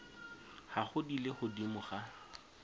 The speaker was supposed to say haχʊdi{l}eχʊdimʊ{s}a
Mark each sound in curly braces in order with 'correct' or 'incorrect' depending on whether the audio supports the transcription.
correct, incorrect: χ

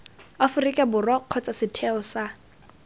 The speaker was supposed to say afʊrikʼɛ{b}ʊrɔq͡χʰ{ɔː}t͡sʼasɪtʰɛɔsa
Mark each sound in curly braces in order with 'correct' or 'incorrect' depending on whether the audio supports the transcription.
correct, incorrect: ɔ

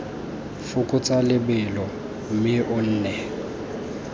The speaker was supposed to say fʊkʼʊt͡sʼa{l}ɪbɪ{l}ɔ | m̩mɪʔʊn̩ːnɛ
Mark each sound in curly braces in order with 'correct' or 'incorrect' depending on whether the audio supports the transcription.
correct, correct

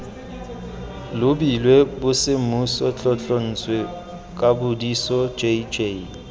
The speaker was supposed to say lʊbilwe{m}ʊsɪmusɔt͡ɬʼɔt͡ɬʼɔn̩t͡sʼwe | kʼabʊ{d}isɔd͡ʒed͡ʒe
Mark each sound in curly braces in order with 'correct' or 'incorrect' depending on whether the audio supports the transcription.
incorrect: b, correct

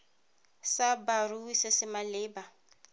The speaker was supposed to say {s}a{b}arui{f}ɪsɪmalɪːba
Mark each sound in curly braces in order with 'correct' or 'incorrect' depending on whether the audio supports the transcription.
correct, correct, incorrect: s

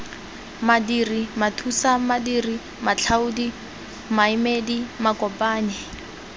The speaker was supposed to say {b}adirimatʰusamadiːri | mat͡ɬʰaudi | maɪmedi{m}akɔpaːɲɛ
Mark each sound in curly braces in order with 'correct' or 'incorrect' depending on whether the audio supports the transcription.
incorrect: m, correct

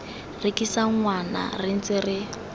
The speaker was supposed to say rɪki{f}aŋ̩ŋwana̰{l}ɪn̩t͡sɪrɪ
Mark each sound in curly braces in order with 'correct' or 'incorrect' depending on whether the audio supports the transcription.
incorrect: s, incorrect: r

